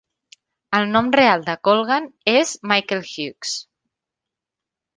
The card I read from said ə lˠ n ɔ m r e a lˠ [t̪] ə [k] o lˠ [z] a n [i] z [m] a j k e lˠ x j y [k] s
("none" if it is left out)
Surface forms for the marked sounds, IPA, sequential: d̪, k, ɣ, e, m, k

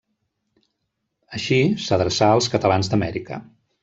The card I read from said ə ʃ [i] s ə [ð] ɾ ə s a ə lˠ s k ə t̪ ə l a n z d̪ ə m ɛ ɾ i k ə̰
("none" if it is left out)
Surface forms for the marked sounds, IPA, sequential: i, ð

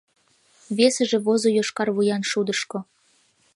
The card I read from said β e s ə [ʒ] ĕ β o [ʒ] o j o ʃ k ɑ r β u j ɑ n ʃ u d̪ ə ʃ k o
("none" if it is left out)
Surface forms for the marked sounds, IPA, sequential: ʒ, z

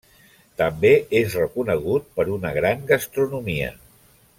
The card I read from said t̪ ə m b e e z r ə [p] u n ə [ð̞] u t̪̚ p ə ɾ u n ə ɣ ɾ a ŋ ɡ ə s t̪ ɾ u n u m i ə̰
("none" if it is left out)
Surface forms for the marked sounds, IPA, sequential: k, ɣ̞

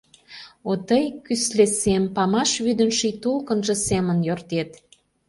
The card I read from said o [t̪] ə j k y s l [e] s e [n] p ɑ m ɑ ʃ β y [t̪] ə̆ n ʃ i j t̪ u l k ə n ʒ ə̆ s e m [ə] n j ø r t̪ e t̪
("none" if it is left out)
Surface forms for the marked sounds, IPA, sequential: t̪, e, m, d̪, ə

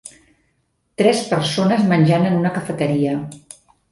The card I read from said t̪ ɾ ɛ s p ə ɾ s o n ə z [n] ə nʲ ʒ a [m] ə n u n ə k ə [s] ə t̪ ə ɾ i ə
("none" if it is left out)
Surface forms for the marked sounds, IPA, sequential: m, n, f

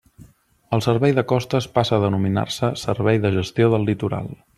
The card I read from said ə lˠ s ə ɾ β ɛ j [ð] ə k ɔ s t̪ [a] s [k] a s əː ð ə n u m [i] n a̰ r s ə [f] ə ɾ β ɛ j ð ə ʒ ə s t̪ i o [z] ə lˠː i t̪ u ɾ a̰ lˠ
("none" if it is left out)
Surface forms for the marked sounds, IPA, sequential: ð, ə, p, i, s, ð

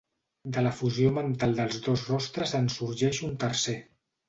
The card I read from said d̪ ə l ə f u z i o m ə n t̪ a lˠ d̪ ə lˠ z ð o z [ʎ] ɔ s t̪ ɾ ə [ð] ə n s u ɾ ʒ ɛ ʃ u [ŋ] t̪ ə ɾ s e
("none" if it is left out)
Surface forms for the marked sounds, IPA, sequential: r, z, n

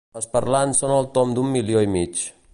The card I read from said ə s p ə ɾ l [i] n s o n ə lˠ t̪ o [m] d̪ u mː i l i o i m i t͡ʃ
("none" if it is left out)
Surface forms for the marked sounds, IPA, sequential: a, m

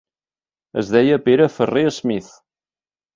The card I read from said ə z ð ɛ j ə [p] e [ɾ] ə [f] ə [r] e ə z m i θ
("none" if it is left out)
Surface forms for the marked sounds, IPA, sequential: p, ɾ, f, r

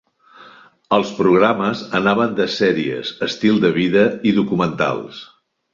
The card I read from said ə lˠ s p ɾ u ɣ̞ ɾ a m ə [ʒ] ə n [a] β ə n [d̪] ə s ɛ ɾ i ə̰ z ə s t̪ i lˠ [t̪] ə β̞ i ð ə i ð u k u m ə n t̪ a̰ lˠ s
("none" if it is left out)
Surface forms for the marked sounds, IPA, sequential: z, a, d̪, d̪

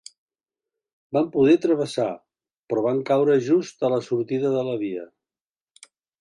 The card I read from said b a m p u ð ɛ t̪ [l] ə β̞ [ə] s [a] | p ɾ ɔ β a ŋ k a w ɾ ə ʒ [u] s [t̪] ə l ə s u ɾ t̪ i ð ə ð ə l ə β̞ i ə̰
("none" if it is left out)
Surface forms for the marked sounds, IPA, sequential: ɾ, ə, a, u, t̪

